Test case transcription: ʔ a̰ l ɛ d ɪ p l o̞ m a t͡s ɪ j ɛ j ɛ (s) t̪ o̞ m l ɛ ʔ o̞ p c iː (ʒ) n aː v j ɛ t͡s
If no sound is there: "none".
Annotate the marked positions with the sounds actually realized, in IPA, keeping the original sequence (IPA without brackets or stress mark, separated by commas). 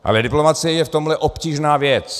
f, ʒ